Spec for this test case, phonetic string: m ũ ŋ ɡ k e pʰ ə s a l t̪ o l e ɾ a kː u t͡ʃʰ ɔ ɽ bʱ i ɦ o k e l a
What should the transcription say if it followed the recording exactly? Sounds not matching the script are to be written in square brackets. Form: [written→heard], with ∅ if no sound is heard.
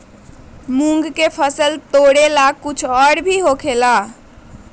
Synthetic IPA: m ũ ŋ ɡ k e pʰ ə s [a→ə] l t̪ o [l→ɽ] e [ɾ→l] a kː u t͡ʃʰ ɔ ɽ bʱ i ɦ o [k→kʰ] e l a

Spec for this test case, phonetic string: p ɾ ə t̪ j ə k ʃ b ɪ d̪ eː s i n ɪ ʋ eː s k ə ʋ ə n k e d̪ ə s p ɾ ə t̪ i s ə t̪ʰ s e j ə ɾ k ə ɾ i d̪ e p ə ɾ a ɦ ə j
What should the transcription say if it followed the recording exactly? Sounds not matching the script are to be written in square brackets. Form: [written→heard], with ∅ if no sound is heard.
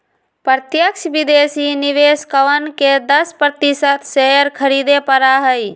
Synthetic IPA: p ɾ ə t̪ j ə k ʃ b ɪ d̪ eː s i n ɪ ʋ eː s k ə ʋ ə n k e d̪ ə s p ɾ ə t̪ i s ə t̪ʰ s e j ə ɾ [k→kʰ] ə ɾ i d̪ e p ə ɾ a ɦ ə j

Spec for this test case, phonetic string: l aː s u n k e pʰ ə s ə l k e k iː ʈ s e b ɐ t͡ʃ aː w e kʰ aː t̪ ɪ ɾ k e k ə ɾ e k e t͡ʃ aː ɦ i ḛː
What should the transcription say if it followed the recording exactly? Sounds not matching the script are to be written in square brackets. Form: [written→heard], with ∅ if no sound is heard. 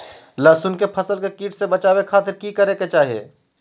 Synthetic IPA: l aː s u n k e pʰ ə s ə l k e k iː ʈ s e b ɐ t͡ʃ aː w e kʰ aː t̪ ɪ ɾ k [e→i] k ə ɾ e k e t͡ʃ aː ɦ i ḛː

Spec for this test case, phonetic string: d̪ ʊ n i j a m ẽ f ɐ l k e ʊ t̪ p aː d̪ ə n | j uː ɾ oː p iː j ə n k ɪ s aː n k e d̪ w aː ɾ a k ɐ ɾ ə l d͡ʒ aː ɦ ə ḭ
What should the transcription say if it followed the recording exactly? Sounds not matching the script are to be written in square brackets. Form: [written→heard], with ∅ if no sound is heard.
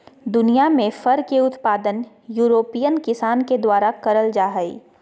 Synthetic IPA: d̪ ʊ n i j a m ẽ f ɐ [l→ɾ] k e ʊ t̪ p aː d̪ ə n | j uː ɾ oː p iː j ə n k ɪ s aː n k e d̪ w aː ɾ a k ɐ ɾ ə l d͡ʒ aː ɦ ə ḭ

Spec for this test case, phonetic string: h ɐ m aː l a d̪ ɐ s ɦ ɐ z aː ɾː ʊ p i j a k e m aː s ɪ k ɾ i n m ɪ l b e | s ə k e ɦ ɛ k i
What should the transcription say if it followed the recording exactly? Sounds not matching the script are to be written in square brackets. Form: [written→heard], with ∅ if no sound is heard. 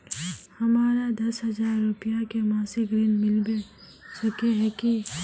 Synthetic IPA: h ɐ m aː [l→ɾ] a d̪ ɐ s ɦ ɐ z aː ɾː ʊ p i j a k e m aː s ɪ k ɾ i n m ɪ l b e | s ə k e ɦ ɛ k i

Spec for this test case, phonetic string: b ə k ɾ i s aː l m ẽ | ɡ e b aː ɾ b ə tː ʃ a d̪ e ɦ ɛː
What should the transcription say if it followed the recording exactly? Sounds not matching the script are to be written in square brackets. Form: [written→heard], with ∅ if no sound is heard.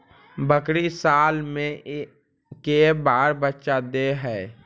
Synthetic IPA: b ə k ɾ i s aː l m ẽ | [ɡ→k] e b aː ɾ b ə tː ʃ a d̪ e ɦ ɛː

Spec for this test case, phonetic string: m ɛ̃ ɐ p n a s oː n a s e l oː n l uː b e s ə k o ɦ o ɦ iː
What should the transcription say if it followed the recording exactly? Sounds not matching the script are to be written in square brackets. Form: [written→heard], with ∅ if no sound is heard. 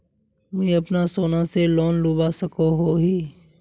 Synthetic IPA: m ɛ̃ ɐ p n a s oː n a s e l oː n l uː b [e→a] s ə k o ɦ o ɦ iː

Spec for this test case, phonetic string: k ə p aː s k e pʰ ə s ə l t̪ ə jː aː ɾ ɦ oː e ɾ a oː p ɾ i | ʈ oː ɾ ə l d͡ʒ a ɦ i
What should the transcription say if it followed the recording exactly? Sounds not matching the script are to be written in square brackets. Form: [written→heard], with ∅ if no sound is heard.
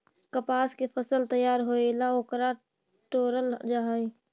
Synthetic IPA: k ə p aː s k e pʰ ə s ə l t̪ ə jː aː ɾ ɦ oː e [ɾ→l] a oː [p→k] ɾ [i→a] | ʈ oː ɾ ə l d͡ʒ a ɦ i

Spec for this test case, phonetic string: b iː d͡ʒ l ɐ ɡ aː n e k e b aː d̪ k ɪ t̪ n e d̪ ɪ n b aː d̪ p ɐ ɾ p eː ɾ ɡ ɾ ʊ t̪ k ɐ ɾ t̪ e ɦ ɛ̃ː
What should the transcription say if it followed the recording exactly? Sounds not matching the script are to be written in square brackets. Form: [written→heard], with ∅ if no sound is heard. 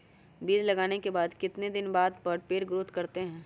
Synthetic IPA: b iː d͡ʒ l ɐ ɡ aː n e k e b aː d̪ k ɪ t̪ n e d̪ ɪ n b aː d̪ p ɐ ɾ p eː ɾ ɡ ɾ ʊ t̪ k ɐ ɾ t̪ e ɦ ɛ̃ː

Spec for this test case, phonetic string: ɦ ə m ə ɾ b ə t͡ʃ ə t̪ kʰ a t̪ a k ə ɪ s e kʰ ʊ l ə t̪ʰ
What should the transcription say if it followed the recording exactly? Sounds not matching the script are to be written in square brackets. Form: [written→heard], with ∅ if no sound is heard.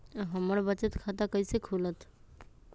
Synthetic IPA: ɦ ə m ə ɾ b ə t͡ʃ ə t̪ kʰ a t̪ a k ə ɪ s e kʰ [ʊ→u] l ə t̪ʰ

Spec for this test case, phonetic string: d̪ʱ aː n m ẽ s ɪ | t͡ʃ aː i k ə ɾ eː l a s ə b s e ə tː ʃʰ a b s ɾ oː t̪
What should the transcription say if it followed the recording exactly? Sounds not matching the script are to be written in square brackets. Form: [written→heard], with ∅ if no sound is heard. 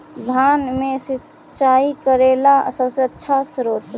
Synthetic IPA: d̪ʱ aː n m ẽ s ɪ | t͡ʃ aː i k ə ɾ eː l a s ə b s e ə tː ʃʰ a [b→∅] s ɾ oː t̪

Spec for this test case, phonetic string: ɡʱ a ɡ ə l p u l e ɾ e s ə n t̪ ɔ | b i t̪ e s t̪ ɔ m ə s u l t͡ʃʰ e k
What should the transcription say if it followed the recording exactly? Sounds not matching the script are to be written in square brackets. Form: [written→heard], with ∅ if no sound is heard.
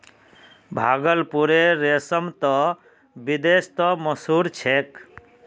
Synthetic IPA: [ɡʱ→bʱ] a ɡ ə l p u [l→ɾ] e ɾ e s ə [n→m] t̪ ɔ | b i [t̪→d̪] e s t̪ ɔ m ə s u [l→ɾ] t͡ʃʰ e k

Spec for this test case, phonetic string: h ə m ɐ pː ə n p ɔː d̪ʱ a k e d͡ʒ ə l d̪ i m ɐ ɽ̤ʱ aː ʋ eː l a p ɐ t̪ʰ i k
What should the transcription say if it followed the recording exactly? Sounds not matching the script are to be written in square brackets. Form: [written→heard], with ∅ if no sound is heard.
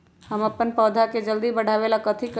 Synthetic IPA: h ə m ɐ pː ə n p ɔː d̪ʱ a k e d͡ʒ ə l d̪ i [m→b] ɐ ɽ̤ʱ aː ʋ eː l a [p→k] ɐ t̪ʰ i k

